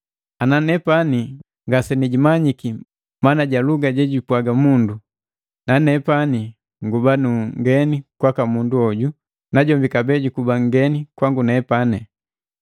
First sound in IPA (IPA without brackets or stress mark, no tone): a